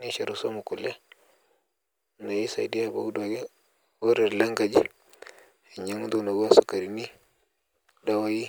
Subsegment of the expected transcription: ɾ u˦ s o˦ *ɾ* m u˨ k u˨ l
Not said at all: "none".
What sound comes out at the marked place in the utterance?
none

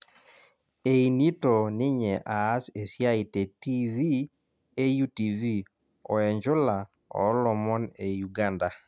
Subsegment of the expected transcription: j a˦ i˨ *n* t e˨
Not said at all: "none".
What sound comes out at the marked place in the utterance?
none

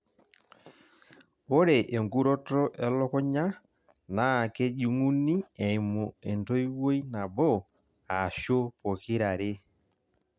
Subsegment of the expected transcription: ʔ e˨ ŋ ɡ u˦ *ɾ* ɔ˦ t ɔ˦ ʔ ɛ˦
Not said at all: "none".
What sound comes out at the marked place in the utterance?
ɾ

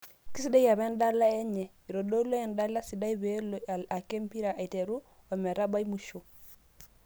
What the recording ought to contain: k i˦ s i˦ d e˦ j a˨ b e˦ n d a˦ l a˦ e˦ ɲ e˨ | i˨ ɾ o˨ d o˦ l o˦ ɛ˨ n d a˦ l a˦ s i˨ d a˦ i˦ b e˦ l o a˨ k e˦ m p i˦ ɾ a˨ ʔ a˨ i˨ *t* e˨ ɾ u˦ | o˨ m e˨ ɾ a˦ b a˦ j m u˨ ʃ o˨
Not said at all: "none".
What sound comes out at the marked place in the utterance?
t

